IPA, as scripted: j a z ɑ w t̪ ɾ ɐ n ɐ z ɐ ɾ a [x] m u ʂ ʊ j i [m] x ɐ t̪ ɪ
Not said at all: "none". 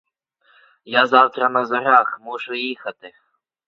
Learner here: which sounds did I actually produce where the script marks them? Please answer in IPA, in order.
x, none

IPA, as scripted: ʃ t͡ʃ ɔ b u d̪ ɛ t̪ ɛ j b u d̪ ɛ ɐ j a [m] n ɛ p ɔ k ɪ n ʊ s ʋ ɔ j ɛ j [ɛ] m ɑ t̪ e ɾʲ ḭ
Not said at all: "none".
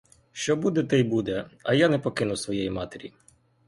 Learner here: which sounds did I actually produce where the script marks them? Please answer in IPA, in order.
none, i

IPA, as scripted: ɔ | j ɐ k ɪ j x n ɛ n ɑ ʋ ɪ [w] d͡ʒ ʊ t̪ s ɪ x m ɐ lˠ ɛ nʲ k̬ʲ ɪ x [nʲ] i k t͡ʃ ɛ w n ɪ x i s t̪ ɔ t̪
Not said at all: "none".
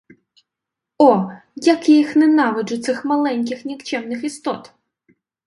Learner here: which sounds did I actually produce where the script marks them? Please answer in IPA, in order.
none, nʲ

